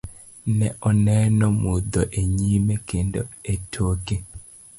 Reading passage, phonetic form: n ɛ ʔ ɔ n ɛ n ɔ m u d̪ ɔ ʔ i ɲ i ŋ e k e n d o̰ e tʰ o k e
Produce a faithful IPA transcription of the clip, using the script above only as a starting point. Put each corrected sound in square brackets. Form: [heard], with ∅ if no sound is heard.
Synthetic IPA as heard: n ɛ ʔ ɔ n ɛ n ɔ m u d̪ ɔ ʔ [e] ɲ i [m] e k e n d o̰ e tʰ o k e